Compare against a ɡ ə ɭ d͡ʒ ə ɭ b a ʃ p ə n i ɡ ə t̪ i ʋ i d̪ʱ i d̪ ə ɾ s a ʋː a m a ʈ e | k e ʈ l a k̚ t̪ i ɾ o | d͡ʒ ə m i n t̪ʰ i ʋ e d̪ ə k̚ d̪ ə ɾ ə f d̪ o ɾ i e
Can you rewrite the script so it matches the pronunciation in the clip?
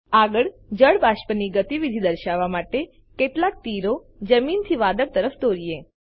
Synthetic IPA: a ɡ ə ɭ d͡ʒ ə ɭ b a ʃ p ə n i ɡ ə t̪ i ʋ i d̪ʱ i d̪ ə ɾ ʃ a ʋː a m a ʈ e | k e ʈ l a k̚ t̪ i ɾ o | d͡ʒ ə m i n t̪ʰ i ʋ a d̪ ə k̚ t̪ ə ɾ ə f d̪ o ɾ i e